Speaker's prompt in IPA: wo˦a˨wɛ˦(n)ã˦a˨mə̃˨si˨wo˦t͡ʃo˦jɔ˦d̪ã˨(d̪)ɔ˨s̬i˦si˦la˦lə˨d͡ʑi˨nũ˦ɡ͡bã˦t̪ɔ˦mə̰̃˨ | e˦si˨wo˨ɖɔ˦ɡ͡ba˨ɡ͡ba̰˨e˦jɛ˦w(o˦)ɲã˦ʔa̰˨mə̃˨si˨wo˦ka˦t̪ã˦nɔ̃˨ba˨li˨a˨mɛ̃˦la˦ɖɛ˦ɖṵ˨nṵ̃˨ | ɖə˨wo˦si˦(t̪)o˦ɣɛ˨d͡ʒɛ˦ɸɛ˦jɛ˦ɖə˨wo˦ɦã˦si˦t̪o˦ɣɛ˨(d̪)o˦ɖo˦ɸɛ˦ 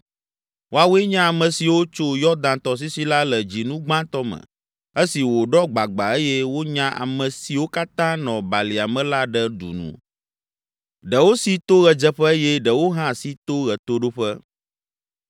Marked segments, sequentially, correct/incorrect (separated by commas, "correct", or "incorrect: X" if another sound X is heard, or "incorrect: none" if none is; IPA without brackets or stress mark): incorrect: ɲ, incorrect: t̪, correct, correct, incorrect: t̪